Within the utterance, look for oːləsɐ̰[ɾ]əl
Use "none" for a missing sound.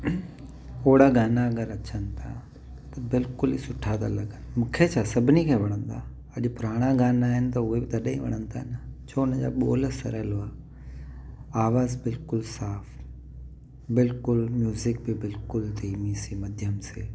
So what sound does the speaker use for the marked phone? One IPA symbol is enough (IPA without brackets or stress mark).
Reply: ɾ